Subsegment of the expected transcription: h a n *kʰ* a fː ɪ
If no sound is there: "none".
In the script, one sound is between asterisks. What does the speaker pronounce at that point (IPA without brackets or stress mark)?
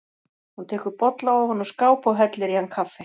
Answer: kʰ